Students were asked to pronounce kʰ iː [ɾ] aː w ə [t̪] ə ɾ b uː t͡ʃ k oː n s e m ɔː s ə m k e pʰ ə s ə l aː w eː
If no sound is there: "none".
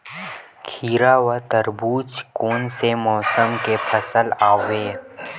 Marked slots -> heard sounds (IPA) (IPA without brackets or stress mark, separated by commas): ɾ, t̪